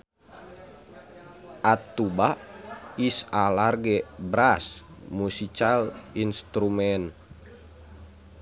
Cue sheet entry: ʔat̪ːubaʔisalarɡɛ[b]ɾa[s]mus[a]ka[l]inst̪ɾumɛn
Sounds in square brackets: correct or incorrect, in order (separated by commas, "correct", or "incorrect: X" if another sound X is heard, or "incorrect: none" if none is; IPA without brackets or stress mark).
correct, correct, incorrect: i, correct